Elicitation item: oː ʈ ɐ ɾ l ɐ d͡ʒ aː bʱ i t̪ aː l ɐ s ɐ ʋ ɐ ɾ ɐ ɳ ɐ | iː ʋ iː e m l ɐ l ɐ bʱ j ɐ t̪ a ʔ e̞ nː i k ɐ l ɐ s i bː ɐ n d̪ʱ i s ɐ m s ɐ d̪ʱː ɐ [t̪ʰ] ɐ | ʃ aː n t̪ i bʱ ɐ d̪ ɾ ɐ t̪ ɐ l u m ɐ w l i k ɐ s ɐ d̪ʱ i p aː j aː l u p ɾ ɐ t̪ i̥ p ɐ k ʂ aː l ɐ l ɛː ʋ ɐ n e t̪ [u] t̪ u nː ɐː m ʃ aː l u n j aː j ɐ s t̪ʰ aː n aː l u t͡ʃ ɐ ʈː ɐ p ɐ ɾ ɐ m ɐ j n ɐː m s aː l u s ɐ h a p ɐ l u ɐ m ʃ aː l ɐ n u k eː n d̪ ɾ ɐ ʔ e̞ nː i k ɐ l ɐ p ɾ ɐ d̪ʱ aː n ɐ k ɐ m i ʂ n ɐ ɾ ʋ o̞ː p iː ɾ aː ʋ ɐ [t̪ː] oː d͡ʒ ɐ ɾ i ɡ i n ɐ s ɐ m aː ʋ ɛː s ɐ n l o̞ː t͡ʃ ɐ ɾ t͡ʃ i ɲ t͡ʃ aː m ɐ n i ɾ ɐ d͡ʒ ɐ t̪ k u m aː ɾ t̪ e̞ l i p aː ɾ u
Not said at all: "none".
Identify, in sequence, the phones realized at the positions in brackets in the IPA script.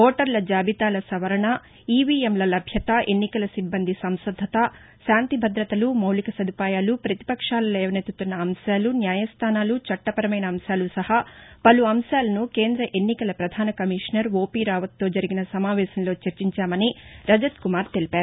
t̪, u, t̪ː

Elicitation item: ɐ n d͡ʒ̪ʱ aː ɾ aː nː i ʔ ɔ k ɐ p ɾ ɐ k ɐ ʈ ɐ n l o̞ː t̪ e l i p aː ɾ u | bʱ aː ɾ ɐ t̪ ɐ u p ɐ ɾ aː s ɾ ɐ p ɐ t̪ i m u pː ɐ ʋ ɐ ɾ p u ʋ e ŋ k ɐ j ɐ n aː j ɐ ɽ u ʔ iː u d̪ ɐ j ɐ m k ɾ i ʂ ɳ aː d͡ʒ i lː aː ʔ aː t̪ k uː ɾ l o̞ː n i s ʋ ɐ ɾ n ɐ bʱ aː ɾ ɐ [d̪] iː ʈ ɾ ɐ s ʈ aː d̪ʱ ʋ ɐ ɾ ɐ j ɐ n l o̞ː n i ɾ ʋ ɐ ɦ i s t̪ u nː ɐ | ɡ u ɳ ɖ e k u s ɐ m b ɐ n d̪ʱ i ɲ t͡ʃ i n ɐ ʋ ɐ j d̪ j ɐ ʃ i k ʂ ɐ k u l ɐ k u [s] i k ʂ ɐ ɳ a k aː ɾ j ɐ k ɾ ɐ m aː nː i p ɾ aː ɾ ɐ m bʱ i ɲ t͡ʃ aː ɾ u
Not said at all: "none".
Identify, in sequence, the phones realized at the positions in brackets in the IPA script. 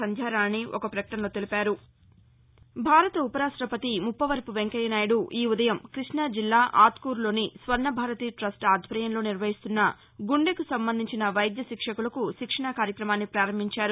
t̪, ʃ

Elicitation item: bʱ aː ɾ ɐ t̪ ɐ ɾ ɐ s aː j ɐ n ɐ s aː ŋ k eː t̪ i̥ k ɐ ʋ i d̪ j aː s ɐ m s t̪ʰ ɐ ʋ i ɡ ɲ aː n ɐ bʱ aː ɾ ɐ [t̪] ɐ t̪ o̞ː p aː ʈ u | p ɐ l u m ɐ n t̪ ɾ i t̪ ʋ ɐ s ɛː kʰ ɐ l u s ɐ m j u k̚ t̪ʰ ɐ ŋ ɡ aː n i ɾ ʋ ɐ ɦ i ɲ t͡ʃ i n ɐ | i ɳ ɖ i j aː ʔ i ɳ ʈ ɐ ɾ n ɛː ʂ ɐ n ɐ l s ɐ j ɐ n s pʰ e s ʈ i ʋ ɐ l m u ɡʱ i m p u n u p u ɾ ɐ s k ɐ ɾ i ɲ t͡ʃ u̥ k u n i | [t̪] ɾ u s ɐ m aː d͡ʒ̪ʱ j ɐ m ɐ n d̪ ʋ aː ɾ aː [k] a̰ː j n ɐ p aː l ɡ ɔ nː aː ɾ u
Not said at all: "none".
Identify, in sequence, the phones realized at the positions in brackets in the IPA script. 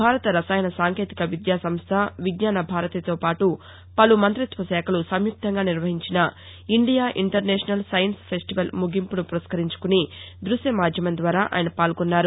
t̪, d̪, ʔ

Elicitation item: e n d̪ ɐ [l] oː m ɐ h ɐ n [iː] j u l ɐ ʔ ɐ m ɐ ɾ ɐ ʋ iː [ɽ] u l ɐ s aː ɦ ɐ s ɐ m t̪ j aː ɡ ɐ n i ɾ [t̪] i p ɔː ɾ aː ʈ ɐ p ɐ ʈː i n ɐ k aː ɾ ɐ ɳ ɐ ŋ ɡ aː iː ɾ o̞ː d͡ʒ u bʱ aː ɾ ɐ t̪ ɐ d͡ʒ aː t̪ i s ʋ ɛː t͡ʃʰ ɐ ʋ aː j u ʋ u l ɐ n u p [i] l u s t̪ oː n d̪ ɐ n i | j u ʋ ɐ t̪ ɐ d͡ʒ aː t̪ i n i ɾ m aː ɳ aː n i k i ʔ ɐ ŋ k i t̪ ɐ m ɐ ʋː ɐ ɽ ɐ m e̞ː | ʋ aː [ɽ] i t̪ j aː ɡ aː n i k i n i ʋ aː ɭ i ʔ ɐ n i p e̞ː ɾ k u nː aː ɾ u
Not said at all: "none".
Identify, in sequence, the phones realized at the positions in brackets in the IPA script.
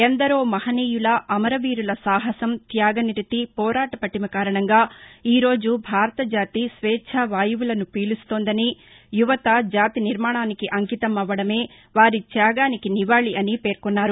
ɾ, iː, ɾ, t̪, iː, ɾ

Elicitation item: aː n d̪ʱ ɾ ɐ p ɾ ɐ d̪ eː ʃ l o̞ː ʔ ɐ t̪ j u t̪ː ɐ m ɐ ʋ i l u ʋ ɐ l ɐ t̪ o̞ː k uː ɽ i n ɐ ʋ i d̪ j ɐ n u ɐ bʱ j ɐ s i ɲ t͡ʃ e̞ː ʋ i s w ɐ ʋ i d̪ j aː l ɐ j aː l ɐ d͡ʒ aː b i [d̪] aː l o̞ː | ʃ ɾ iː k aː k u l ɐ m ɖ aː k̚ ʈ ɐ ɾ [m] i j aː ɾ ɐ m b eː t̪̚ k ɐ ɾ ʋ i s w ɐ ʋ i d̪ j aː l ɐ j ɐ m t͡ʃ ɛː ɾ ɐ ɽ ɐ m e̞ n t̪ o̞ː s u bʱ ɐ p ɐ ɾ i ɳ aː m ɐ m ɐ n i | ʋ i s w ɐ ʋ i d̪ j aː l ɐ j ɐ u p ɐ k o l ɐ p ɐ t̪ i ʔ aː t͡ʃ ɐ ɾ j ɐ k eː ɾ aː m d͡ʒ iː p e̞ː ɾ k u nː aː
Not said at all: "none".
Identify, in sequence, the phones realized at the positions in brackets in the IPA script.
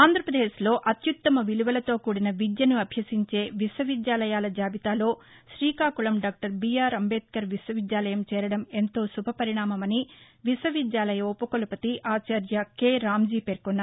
t̪, b

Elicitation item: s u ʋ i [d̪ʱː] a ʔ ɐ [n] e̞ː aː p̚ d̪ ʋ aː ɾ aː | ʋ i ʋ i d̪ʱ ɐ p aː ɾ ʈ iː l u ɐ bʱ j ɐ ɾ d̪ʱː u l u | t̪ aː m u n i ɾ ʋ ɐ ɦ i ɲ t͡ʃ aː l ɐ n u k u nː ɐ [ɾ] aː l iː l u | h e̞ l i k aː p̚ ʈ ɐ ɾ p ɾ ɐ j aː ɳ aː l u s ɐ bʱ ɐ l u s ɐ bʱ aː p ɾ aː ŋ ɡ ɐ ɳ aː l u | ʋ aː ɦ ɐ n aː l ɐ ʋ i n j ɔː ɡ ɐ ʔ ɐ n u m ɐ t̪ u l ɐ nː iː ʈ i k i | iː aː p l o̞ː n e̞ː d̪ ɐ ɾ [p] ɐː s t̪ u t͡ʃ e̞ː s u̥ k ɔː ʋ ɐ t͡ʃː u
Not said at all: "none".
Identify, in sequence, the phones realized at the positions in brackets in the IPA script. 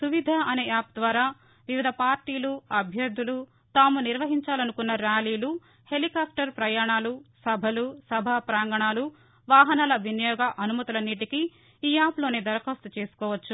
d̪ʱ, n, ɾ, k

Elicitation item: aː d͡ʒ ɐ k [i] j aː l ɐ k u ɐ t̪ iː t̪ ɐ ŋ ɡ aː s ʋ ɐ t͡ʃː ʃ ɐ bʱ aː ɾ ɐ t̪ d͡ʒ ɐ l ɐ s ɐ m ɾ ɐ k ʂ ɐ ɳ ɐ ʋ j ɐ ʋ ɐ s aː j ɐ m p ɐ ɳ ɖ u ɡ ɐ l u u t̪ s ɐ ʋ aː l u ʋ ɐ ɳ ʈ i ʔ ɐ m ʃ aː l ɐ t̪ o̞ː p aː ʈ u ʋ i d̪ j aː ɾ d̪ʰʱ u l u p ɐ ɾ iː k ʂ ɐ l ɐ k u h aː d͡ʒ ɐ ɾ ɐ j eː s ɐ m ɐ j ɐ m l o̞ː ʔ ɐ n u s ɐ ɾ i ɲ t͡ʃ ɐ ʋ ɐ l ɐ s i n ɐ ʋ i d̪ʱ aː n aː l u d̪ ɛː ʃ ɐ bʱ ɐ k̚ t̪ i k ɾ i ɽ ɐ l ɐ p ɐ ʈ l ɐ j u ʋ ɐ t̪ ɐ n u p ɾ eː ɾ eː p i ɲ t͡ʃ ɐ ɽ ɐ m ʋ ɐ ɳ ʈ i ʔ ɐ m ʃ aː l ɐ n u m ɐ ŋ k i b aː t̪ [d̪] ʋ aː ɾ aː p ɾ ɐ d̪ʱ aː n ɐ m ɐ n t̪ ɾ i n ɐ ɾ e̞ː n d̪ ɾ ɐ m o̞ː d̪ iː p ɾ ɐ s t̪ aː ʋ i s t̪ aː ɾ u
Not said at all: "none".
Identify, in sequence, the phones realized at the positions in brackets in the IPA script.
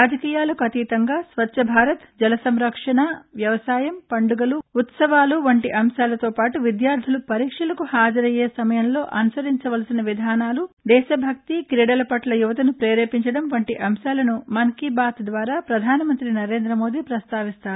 iː, d̪

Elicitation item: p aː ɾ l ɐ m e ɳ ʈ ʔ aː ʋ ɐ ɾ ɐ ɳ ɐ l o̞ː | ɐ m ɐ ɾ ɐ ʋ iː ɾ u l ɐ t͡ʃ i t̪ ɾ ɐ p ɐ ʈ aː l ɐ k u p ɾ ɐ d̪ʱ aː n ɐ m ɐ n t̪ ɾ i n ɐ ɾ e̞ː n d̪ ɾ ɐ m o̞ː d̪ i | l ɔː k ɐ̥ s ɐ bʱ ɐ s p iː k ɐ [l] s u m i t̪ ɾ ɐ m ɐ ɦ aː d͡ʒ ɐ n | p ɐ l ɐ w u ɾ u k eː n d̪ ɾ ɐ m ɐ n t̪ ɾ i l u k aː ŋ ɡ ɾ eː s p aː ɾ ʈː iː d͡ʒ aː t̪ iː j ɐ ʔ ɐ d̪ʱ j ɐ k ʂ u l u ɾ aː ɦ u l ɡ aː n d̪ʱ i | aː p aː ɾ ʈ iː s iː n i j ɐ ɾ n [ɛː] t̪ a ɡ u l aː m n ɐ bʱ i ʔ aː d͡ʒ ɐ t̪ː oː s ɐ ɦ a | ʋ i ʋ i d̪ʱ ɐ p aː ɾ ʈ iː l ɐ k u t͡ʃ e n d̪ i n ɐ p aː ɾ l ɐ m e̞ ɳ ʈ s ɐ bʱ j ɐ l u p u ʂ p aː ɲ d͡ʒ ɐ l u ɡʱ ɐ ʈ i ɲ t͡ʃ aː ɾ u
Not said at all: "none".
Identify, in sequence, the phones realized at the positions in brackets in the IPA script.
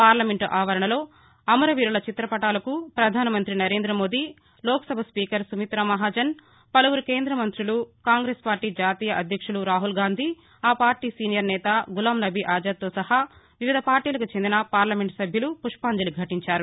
ɾ, ɛː

